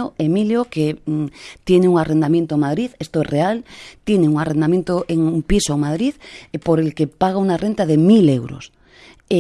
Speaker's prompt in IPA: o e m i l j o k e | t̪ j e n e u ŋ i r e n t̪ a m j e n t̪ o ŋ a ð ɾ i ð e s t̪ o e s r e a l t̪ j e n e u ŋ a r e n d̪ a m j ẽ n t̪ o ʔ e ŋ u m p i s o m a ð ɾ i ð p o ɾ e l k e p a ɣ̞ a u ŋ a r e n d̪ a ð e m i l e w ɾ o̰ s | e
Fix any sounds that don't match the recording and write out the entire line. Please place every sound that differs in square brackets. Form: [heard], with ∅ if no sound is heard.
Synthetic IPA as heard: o e m i l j o k e | t̪ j e n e u ŋ [a] r e n [d̪] a m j e n t̪ o [m] a ð ɾ i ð e s t̪ o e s r e a l t̪ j e n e u ŋ a r e n d̪ a m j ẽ n t̪ o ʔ e ŋ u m p i s o m a ð ɾ i ð p o ɾ e l k e p a ɣ̞ a u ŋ a r e n [t̪] a ð e m i l e w ɾ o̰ s | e